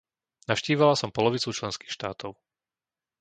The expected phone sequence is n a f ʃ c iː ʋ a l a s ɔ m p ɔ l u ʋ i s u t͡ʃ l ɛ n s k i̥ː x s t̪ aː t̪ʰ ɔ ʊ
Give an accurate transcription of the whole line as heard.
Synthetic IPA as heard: n a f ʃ c iː ʋ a l a s ɔ m p ɔ l ɔ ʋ i t͡s u t͡ʃ l ɛ n s k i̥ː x ʃ t̪ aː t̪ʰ ɔ ʊ

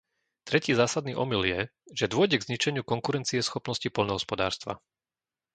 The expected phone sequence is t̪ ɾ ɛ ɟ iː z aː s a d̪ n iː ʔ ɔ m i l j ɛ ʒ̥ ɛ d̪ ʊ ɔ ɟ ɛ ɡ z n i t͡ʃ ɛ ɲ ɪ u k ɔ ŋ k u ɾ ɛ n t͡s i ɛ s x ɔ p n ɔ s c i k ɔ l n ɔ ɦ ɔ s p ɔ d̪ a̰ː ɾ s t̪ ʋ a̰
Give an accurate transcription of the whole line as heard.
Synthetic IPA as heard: t̪ ɾ ɛ c iː z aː s a d̪ n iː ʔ ɔ m i l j ɛ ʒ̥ ɛ d̪ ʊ ɔ ɟ ɛ ɡ z ɲ i t͡ʃ ɛ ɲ ɪ u k ɔ ŋ k u ɾ ɛ n t͡s i ɛ s x ɔ p n ɔ s c i p ɔ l n ɔ ɦ ɔ s p ɔ d̪ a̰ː ɾ s t̪ ʋ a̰

